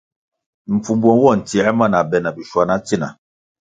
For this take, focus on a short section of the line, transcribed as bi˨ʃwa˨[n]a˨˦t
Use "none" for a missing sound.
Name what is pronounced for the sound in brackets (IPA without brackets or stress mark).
n